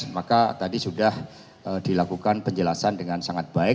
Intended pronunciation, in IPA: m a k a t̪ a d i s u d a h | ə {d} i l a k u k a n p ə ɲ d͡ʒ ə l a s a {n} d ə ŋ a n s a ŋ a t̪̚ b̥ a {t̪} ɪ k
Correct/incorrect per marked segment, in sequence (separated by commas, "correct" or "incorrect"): correct, correct, incorrect